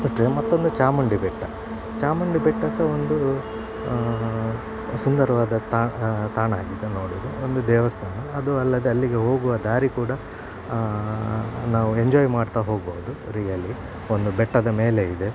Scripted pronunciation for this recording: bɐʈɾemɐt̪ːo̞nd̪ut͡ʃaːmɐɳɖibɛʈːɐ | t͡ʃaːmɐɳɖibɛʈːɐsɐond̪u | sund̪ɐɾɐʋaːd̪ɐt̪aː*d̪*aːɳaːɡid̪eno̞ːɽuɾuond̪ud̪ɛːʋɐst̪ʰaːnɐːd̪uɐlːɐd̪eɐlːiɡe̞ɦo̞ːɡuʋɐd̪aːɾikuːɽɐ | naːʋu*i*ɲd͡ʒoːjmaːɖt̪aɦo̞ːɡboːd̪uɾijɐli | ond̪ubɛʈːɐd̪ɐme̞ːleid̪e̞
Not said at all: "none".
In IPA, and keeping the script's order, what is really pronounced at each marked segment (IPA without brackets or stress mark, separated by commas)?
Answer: t̪, e